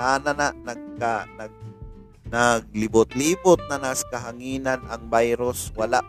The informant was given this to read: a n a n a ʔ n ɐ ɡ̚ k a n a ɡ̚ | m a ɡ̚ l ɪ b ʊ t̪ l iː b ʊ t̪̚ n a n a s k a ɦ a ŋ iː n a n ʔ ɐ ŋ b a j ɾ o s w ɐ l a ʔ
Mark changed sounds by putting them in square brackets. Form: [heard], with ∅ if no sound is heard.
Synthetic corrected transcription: a n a n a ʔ n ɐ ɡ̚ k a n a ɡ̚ | [n] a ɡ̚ l ɪ b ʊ t̪ l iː b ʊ t̪̚ n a n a s k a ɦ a ŋ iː n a n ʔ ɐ ŋ b a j ɾ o s w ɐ l a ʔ